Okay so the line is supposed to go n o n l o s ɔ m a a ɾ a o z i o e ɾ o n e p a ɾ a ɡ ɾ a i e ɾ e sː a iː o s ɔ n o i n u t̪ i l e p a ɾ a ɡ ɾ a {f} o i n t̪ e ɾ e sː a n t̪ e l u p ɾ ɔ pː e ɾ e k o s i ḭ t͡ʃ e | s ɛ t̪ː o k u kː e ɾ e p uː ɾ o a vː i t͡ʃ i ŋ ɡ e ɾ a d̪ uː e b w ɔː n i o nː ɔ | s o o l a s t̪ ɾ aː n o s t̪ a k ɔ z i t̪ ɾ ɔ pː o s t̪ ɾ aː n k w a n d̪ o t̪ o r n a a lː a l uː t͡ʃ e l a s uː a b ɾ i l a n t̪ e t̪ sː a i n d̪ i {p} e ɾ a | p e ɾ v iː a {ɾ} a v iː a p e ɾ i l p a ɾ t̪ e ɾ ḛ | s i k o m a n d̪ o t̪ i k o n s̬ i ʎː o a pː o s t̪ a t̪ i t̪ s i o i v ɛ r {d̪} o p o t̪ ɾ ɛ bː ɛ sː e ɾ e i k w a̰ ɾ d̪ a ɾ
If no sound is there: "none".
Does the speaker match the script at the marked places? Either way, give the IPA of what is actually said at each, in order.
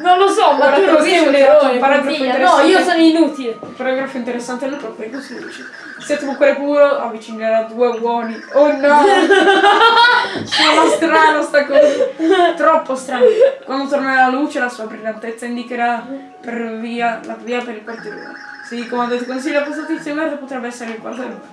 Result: f, k, l, d̪

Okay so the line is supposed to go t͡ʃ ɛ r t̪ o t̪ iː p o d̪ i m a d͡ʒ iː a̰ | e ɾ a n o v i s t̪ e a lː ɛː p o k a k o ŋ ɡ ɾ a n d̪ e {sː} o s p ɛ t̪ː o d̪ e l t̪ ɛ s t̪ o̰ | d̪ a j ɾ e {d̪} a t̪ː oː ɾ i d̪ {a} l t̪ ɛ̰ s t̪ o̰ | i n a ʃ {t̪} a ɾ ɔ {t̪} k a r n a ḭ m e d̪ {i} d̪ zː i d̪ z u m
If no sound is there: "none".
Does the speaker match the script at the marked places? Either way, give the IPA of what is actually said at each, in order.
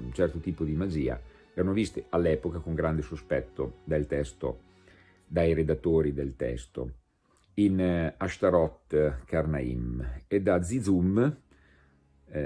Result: s, d̪, e, t̪, t̪, a

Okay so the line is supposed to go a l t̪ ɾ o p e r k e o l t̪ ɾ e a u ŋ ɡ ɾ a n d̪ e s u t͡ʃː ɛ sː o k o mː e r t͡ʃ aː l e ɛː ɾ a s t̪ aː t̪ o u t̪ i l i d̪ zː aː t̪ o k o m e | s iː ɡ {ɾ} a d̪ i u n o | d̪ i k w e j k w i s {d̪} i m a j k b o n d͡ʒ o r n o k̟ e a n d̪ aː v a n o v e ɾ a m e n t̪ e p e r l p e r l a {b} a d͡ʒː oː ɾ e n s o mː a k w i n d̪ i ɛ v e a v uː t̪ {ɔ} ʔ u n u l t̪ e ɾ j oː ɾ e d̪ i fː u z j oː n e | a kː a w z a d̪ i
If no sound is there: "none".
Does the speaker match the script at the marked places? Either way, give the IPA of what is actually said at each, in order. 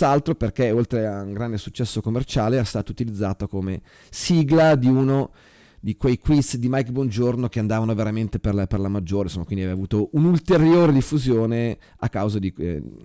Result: l, d̪, m, o

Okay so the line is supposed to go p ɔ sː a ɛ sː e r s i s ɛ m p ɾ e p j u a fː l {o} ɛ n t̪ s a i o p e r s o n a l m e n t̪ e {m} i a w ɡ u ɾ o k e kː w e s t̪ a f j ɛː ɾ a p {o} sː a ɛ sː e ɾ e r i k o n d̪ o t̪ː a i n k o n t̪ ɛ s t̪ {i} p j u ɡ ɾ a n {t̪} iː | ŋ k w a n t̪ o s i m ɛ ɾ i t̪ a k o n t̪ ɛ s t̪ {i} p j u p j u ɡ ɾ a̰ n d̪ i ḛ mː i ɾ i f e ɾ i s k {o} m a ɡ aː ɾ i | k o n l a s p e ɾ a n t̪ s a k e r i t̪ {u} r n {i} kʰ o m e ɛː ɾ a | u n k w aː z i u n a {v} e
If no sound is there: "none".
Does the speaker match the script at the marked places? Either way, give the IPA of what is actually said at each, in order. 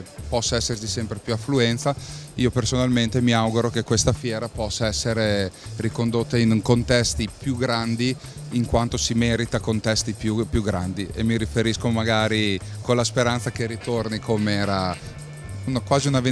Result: u, m, ɔ, i, d̪, i, o, o, i, v

